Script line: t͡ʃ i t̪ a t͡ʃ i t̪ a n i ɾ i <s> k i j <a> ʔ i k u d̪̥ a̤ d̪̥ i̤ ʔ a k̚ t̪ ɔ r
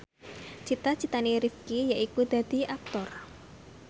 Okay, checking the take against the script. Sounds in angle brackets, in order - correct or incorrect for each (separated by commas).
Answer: incorrect, correct